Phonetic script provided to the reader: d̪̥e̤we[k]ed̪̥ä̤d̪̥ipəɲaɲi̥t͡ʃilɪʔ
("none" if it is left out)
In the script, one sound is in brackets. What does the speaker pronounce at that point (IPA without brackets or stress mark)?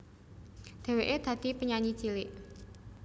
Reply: ʔ